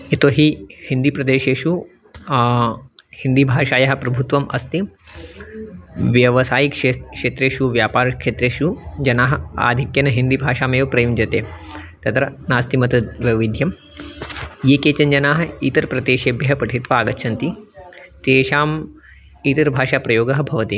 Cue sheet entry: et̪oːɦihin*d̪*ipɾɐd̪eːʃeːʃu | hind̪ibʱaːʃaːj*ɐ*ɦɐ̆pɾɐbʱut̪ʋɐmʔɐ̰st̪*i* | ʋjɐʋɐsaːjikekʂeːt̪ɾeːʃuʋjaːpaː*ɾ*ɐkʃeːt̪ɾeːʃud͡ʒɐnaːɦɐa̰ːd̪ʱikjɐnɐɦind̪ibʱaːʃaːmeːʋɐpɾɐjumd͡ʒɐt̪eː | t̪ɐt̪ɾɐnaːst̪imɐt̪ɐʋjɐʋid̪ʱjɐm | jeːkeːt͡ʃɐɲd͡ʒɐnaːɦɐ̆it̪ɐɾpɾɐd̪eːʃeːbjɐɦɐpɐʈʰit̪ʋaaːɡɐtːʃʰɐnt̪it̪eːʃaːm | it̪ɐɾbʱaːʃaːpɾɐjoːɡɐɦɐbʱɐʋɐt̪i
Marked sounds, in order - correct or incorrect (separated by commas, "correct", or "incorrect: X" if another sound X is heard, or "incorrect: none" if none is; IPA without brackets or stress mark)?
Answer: correct, correct, correct, correct